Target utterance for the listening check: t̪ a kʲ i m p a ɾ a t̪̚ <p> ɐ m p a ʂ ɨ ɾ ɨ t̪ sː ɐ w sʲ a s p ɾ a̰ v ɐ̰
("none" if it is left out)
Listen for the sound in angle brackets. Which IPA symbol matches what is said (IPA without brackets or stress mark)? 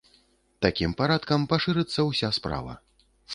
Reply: k